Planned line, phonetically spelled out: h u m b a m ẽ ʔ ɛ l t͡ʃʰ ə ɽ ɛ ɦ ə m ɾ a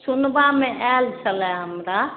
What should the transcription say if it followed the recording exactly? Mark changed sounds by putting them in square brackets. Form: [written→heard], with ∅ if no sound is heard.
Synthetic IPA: [h→s] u [m→n] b a m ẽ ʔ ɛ l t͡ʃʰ ə [ɽ→l] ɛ ɦ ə m ɾ a